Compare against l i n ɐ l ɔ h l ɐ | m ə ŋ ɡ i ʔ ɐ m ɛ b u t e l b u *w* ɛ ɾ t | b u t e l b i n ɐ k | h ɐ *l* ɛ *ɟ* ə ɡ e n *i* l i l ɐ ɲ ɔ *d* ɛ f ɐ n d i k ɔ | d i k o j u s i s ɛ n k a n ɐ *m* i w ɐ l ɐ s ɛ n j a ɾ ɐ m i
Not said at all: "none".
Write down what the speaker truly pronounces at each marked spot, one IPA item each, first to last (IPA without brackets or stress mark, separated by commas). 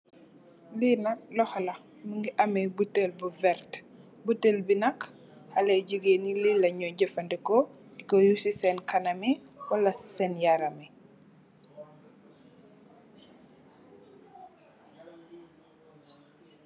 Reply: v, l, ɟ, i, ɟ, m